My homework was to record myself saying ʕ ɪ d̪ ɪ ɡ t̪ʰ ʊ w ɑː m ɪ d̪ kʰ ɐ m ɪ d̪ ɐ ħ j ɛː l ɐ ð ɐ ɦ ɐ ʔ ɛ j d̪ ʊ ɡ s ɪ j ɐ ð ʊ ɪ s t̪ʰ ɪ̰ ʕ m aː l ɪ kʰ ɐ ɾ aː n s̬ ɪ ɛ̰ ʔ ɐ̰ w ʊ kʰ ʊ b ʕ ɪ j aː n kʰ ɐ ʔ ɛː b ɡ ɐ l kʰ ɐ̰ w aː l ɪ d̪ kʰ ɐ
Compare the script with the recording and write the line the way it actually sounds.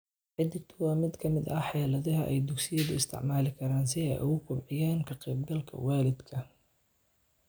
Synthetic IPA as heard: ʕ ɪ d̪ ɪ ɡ t̪ʰ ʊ w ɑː m ɪ d̪ kʰ ɐ m ɪ d̪ ɐ ħ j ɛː l ɐ ð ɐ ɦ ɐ ʔ ɛ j d̪ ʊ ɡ s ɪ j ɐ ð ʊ ɪ s t̪ʰ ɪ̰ ʕ m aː l ɪ kʰ ɐ ɾ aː n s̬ ɪ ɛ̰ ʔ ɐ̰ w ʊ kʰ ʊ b ʕ ɪ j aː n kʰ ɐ q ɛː b ɡ ɐ l kʰ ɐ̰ w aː l ɪ d̪ kʰ ɐ